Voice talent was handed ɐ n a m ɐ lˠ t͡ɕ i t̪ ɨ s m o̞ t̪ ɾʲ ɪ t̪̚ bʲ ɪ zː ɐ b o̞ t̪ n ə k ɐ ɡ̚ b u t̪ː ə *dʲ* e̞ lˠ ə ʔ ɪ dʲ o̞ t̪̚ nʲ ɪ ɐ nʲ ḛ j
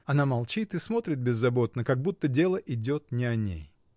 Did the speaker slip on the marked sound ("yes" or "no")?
no